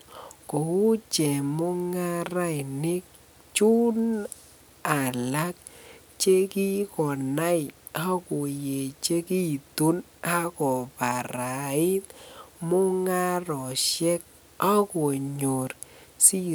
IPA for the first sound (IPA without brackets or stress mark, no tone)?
k